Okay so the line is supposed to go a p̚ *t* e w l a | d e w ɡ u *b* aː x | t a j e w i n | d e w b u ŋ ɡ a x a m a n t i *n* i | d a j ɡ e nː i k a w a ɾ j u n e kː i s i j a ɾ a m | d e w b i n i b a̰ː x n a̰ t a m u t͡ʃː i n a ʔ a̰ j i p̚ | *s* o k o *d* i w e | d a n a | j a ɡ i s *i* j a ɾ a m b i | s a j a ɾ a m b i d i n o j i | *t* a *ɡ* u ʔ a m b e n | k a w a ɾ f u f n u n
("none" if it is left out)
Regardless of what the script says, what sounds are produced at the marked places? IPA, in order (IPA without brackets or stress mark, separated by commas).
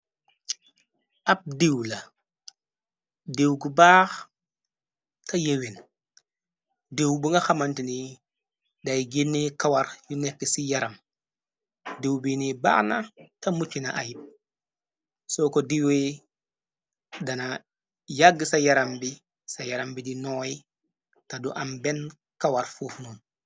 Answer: d, b, n, s, d, a, t, d